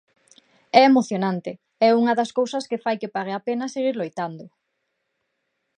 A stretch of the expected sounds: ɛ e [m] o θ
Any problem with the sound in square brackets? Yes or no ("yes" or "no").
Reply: no